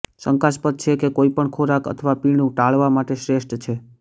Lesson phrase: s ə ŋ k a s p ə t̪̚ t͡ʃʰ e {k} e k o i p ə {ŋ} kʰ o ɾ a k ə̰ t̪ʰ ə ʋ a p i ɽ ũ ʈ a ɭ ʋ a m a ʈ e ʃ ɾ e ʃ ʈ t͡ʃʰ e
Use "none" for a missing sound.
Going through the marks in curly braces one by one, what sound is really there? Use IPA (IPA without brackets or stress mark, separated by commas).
k, ɳ